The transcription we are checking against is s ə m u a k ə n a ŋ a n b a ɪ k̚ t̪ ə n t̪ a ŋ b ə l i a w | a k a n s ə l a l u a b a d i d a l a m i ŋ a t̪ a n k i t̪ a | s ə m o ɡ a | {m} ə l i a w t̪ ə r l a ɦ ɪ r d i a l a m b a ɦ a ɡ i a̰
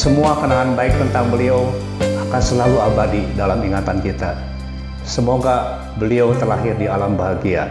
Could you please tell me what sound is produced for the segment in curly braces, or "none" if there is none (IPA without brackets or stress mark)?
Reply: b